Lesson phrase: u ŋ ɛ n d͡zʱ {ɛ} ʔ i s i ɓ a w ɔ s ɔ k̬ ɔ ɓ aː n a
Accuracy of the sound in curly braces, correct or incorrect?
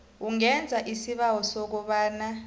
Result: incorrect